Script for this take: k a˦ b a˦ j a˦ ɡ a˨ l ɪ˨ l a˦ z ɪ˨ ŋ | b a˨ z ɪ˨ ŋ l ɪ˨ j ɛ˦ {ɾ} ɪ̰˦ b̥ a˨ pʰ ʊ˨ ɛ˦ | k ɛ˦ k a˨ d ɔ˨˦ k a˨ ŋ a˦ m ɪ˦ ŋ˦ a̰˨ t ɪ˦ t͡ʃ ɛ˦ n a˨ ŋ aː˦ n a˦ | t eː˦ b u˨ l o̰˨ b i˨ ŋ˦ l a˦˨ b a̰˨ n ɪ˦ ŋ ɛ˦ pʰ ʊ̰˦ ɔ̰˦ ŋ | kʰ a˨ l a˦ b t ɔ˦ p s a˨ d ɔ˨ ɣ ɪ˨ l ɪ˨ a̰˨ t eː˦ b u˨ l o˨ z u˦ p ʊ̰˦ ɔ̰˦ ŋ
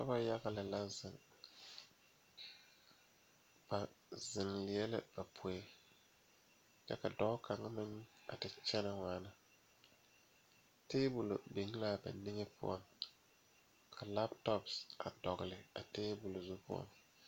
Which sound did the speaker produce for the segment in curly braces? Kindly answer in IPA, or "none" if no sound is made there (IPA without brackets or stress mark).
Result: l